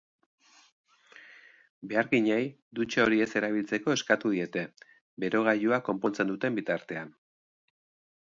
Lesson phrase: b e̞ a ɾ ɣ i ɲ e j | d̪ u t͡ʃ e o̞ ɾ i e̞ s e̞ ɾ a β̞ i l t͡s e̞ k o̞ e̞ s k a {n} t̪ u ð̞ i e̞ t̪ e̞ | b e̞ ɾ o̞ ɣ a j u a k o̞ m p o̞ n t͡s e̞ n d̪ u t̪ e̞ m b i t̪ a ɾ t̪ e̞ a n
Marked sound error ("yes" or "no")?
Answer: yes